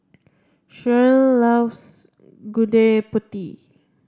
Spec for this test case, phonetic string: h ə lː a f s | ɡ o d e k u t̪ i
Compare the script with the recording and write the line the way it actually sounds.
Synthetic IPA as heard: ʃ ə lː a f s | ɡ u d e p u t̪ i